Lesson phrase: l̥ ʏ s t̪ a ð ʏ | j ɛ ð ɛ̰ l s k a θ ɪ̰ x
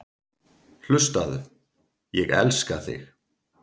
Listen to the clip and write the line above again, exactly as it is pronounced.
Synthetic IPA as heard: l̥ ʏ s t̪ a ð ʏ | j ɛ ɣ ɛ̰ l s k a θ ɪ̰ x